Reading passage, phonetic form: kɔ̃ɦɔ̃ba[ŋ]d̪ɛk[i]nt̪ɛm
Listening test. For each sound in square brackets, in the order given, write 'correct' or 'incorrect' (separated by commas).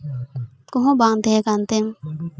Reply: correct, incorrect